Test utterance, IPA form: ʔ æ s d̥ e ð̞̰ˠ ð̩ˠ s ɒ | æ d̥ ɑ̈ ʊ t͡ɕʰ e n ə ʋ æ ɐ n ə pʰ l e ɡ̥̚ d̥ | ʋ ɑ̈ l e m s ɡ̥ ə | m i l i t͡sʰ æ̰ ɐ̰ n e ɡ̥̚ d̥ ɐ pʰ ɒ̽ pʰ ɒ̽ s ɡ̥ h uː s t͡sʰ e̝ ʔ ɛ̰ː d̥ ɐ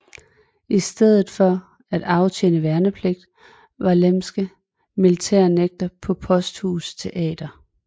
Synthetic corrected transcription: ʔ i s d̥ e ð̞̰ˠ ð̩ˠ f ɒ | æ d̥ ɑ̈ ʊ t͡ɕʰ e n ə ʋ æ ɐ n ə pʰ l e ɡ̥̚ d̥ | ʋ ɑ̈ l e m s ɡ̥ ə | m i l i t͡sʰ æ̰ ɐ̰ n e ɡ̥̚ d̥ ɐ pʰ ɒ̽ pʰ ɒ̽ s d̥ h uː s t͡sʰ e̝ ʔ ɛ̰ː d̥ ɐ